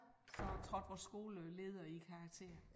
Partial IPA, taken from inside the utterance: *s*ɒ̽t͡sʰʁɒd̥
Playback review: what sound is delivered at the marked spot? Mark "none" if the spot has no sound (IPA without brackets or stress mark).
s